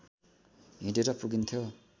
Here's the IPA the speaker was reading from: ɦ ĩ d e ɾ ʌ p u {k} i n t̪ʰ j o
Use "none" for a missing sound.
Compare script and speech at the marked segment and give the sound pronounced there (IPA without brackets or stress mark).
ɡ